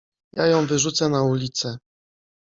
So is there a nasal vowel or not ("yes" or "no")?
yes